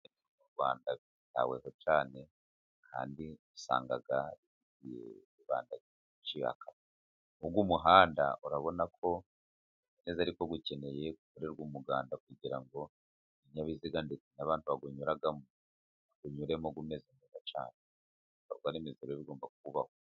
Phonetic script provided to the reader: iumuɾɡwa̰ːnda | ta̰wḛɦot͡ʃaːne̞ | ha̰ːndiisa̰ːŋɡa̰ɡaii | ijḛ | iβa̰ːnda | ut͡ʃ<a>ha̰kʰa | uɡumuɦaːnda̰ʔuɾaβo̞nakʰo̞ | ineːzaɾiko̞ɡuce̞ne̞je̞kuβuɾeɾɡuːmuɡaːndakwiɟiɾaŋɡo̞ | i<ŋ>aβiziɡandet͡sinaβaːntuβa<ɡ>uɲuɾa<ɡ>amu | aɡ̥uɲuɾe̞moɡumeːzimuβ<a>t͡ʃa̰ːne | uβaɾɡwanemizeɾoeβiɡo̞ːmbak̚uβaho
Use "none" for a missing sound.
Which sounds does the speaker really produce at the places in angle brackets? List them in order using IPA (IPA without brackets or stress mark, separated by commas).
i, ɲ, ɡ, ɡ, a